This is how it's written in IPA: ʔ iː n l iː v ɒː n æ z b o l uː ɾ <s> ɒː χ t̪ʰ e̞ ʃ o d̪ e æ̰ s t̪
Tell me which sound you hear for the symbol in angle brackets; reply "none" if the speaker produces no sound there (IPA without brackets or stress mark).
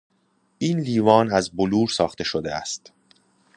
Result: s